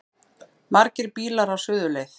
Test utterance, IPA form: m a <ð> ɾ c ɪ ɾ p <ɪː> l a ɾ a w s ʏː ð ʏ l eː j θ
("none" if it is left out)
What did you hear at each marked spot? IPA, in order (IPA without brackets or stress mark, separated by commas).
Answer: none, iː